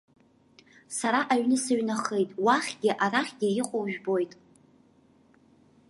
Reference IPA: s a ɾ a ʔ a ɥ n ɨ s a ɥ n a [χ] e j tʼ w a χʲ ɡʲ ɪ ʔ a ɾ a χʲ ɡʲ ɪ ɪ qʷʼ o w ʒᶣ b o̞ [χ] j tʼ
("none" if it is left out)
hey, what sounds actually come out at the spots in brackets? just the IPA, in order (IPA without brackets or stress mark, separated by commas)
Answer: χ, none